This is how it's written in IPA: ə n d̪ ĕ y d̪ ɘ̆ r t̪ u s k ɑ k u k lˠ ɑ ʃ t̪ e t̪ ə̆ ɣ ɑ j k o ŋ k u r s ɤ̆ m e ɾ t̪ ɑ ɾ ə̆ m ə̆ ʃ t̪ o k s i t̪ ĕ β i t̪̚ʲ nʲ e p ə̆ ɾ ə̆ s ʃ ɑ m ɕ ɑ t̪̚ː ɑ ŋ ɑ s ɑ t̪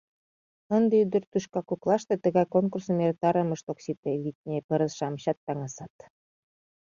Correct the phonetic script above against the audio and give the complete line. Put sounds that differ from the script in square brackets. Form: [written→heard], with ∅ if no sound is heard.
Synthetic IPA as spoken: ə n d̪ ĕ y d̪ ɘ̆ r t̪ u [s→ʃ] k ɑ k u k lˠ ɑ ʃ t̪ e t̪ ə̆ ɣ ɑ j k o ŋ k u r s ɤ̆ m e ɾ t̪ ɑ ɾ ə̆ m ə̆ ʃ t̪ o k s i t̪ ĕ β i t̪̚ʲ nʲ e p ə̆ ɾ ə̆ s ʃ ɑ m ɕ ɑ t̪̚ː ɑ ŋ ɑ s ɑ t̪